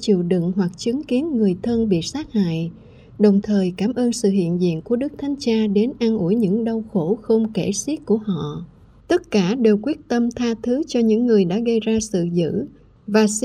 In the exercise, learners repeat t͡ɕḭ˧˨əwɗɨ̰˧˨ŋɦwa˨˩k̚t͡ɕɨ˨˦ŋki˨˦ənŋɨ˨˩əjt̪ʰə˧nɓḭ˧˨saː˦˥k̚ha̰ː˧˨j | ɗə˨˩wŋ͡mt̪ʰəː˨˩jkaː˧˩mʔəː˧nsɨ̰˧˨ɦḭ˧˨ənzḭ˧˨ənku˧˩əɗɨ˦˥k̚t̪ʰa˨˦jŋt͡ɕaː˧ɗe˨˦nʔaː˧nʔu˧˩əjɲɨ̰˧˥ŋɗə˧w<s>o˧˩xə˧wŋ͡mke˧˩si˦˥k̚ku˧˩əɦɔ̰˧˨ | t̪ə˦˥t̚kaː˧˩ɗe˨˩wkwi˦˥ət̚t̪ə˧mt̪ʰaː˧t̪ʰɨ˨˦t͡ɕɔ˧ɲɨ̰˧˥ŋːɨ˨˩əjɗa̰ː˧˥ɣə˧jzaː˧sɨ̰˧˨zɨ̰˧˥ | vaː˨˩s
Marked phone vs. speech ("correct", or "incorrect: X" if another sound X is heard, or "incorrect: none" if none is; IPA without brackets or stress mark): incorrect: x